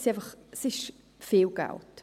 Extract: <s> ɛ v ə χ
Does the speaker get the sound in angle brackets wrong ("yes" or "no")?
no